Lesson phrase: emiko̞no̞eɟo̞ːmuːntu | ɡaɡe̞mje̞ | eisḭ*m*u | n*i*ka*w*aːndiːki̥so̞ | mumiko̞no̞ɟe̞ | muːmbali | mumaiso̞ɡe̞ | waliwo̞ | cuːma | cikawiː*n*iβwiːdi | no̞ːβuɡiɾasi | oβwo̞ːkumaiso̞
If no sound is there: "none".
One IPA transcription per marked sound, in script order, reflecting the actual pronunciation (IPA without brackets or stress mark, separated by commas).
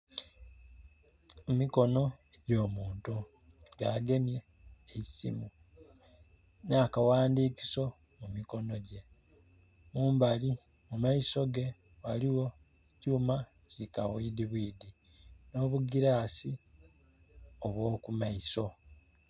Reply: m, a, w, d